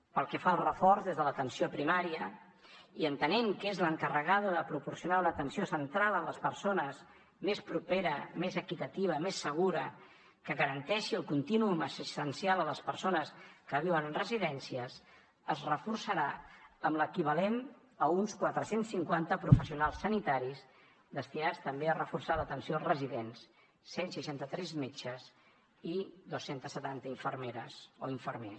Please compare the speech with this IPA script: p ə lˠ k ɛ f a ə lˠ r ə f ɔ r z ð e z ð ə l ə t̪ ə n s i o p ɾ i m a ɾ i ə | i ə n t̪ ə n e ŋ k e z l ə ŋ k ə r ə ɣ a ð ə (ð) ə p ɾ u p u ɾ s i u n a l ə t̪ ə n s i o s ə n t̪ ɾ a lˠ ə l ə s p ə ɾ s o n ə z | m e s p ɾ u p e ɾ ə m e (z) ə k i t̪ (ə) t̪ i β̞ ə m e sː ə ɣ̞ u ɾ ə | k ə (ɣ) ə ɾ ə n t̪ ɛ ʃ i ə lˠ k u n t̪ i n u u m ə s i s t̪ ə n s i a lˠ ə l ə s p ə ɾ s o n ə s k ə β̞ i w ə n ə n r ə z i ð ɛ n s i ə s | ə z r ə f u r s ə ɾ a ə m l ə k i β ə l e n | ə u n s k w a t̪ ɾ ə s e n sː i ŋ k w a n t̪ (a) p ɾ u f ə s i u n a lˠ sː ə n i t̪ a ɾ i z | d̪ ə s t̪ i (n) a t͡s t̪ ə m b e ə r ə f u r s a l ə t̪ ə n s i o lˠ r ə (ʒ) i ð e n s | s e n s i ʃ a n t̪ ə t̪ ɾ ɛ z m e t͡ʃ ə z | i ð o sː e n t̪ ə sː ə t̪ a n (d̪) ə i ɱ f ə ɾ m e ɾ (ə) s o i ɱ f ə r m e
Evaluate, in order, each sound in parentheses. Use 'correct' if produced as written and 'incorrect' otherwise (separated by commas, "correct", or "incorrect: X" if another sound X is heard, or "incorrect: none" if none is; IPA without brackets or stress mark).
correct, correct, correct, correct, incorrect: ə, correct, incorrect: z, incorrect: t̪, correct